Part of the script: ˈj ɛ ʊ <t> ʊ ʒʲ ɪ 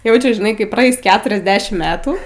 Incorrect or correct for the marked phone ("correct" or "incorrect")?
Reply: incorrect